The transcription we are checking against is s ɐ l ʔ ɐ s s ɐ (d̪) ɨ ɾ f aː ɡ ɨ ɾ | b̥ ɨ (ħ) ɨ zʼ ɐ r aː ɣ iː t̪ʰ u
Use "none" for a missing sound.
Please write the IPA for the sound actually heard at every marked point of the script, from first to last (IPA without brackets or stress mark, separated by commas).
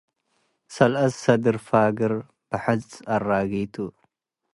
d̪, ħ